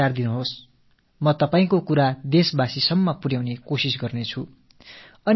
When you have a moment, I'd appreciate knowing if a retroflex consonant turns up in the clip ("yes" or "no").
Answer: no